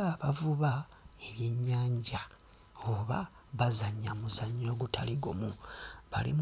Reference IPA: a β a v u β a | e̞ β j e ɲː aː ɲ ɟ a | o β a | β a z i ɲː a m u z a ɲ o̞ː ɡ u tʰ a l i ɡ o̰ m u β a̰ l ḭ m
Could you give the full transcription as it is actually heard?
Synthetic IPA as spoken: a β a v u β a | e̞ β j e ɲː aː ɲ ɟ a | o β a | β a z a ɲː a m u z a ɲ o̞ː ɡ u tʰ a l i ɡ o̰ m u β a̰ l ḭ m

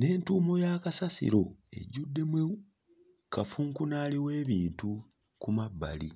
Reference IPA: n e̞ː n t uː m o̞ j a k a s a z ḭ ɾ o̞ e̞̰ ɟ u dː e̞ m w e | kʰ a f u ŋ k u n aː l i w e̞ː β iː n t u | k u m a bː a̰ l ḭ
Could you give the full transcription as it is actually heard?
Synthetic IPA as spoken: n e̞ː n t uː m o̞ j a k a s a s ḭ ɾ o̞ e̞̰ ɟ u dː e̞ m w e | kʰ a f u ŋ k u n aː l i w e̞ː β iː n t u | k u m a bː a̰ l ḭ

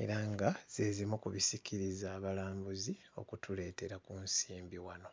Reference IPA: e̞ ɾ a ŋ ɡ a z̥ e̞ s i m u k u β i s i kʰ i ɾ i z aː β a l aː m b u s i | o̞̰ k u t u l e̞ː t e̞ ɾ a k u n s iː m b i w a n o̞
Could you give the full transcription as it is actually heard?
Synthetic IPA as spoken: e̞ ɾ a ŋ ɡ a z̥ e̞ z i m u k u β i s i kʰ i ɾ i z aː β a l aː m b u z i | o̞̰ k u t u l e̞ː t e̞ ɾ a k u n s iː m b i w a n o̞

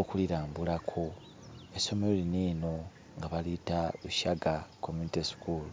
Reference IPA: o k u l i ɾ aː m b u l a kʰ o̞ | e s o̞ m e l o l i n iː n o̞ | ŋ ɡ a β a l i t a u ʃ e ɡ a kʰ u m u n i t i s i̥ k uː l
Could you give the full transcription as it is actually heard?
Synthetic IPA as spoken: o k u l i ɾ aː m b u l a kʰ o̞ | e s o̞ m e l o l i n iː n o̞ | ŋ ɡ a β a l i t a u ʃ a ɡ a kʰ o m u n i t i s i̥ k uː l

